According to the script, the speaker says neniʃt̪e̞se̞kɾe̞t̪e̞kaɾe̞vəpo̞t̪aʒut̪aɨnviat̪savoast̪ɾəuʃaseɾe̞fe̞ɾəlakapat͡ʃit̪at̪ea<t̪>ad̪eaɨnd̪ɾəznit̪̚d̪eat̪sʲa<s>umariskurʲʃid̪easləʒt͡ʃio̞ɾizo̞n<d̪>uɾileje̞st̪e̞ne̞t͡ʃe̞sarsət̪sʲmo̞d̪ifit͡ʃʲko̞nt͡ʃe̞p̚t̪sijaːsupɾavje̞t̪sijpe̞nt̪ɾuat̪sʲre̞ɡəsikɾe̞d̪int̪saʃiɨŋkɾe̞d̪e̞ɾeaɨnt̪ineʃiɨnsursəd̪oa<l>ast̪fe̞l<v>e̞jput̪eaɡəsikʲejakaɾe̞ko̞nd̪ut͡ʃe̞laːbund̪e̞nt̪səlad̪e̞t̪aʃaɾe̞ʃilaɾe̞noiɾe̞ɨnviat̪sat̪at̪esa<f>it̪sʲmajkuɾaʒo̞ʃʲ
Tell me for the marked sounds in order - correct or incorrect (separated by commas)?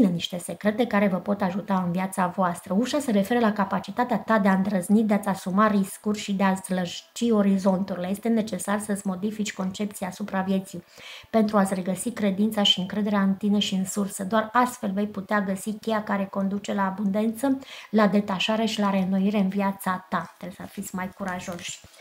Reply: correct, correct, incorrect, incorrect, correct, correct